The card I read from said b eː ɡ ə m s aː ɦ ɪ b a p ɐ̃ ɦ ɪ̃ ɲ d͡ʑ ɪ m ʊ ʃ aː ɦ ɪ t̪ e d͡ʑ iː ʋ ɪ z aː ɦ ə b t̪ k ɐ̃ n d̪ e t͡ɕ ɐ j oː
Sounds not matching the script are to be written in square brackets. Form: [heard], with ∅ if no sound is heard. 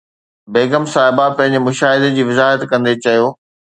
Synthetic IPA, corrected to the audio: b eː ɡ ə m s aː ɦ ɪ b a p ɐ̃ ɦ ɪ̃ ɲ d͡ʑ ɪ m ʊ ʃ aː ɦ ɪ [d̪] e d͡ʑ iː ʋ ɪ z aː ɦ ə [∅] t̪ k ɐ̃ n d̪ e t͡ɕ ɐ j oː